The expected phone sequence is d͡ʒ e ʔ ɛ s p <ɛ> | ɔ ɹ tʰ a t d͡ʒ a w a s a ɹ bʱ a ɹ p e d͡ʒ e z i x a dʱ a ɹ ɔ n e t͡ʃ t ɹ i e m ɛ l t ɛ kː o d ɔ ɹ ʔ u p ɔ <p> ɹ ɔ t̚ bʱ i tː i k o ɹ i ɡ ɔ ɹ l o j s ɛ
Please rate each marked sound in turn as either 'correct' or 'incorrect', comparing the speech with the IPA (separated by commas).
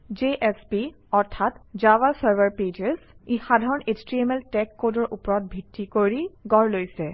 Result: incorrect, incorrect